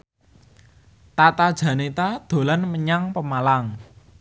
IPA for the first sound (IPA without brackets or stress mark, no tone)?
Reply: t̪